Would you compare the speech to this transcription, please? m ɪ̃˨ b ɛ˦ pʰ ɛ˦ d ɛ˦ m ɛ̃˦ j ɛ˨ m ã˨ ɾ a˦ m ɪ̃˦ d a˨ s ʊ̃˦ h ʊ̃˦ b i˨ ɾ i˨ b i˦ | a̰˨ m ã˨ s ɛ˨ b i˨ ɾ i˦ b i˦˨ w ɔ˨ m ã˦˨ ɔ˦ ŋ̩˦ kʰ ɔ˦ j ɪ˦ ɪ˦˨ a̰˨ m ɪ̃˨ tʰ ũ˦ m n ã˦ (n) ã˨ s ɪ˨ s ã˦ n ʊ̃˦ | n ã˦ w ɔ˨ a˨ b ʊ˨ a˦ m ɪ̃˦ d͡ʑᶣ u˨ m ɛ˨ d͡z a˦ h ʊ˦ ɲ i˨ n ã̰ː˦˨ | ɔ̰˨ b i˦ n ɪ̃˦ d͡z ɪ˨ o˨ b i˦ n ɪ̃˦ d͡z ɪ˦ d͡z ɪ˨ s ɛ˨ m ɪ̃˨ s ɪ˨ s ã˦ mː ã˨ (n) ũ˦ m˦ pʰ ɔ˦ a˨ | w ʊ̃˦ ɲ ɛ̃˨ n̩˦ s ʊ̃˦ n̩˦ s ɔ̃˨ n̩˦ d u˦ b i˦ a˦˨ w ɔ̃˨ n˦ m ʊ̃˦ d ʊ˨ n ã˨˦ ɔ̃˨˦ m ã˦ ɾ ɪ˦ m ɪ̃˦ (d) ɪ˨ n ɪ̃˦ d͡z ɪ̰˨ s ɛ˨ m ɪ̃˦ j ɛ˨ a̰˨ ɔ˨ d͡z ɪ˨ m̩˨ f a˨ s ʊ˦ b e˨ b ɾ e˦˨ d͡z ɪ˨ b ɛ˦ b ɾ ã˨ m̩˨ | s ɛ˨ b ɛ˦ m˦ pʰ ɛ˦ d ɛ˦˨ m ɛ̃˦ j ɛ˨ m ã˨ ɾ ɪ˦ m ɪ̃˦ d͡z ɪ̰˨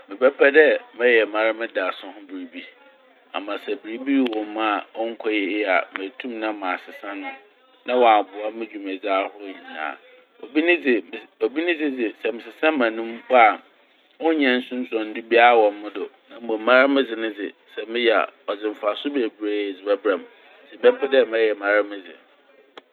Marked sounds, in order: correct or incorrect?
incorrect, correct, incorrect

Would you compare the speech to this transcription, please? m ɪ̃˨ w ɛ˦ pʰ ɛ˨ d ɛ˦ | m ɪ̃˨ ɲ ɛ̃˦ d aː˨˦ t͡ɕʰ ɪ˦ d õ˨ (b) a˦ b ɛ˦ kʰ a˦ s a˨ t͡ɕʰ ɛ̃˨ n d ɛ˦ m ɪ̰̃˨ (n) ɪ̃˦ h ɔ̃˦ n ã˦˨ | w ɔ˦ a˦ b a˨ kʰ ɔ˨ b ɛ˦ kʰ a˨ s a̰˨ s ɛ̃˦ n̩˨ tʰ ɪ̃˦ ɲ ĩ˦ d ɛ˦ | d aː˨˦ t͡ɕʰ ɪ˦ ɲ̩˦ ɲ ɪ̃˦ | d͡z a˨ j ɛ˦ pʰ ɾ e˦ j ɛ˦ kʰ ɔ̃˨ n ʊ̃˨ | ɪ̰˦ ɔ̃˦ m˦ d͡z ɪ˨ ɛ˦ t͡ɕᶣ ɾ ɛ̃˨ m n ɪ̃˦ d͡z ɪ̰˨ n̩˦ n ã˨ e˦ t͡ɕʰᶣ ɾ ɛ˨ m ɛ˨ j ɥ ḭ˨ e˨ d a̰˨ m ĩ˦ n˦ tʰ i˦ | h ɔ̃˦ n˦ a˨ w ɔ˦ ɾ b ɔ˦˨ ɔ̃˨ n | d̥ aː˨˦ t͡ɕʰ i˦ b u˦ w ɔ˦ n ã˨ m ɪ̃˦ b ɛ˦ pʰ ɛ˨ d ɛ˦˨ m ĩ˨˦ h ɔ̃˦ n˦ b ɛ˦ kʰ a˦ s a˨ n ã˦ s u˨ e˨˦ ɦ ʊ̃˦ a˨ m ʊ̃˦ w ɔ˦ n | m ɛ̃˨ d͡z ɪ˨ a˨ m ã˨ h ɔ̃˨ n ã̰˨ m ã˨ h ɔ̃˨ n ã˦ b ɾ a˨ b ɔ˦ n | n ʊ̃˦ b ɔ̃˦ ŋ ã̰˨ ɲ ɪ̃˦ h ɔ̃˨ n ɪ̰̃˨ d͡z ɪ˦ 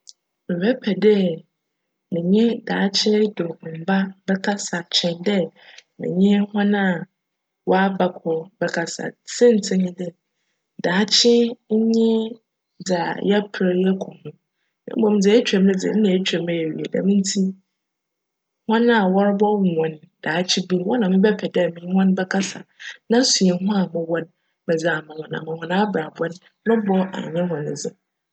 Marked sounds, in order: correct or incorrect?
correct, incorrect

